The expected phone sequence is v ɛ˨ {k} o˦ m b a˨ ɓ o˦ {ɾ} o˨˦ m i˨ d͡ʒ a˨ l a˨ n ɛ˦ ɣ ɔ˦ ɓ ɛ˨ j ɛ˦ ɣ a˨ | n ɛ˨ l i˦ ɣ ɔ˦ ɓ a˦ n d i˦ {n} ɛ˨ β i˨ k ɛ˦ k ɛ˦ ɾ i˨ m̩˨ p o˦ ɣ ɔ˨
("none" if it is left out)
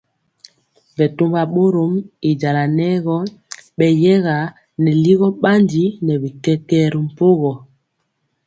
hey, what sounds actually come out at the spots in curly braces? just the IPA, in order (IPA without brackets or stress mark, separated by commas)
t, ɾ, n